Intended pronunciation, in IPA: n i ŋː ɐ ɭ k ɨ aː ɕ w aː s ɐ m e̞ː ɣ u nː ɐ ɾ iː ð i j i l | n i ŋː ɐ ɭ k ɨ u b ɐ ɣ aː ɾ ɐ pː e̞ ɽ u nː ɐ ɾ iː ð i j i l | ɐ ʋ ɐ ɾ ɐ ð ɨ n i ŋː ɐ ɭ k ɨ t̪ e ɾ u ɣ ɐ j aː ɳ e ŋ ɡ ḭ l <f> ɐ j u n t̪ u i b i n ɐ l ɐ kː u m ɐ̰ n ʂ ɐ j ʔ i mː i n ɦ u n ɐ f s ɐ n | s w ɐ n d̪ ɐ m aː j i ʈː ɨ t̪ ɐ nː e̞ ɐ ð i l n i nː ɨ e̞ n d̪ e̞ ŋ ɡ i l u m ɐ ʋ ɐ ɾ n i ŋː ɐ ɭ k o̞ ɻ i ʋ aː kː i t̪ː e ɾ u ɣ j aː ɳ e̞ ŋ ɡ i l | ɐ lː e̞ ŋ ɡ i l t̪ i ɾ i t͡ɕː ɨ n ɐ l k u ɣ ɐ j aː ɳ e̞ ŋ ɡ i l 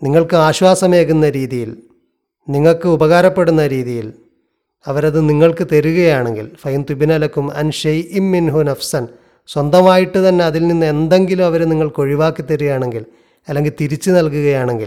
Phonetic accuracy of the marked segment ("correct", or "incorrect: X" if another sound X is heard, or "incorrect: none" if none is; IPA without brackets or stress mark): correct